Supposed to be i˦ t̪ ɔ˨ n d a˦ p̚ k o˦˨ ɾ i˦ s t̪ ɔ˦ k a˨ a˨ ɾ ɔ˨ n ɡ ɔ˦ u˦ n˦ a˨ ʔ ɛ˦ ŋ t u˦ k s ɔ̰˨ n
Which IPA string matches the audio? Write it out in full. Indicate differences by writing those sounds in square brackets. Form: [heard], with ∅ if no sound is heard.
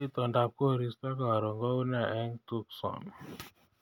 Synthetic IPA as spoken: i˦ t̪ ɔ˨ n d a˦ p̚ k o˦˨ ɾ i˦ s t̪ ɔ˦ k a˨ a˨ ɾ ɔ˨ [ŋ] ɡ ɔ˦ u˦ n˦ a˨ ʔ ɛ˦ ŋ t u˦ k s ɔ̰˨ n